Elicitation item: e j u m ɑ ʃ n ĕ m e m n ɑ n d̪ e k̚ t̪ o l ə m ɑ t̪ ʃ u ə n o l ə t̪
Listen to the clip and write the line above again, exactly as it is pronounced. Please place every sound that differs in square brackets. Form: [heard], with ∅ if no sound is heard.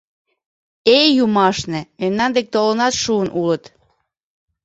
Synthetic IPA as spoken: e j u m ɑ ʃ n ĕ m e m n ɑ n d̪ e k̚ t̪ o l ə [n] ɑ t̪ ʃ u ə n [u] l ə t̪